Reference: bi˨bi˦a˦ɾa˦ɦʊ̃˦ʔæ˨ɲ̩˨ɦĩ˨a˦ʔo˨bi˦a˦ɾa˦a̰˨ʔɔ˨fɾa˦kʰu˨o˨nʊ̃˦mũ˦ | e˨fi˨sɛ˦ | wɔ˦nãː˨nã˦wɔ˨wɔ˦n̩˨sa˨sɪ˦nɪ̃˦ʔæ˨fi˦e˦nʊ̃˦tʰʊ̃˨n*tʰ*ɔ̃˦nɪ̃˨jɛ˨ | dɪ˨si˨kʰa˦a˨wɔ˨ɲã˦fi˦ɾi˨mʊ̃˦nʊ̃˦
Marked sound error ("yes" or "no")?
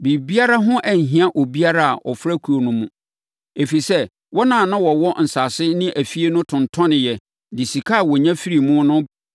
no